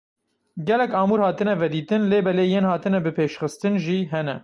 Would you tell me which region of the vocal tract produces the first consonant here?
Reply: velum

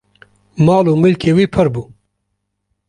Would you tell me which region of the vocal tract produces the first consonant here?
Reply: lips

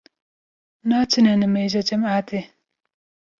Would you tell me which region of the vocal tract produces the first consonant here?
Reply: tongue tip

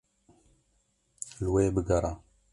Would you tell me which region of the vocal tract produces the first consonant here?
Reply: tongue tip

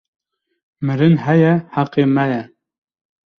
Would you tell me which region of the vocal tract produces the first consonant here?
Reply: lips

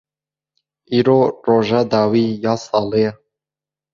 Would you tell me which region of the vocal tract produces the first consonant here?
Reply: tongue tip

